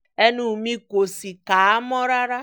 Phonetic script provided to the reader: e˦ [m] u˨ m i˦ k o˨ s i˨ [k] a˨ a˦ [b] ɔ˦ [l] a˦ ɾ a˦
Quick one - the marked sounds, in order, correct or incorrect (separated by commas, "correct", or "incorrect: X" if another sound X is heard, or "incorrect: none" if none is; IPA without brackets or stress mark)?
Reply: incorrect: n, correct, incorrect: m, incorrect: ɾ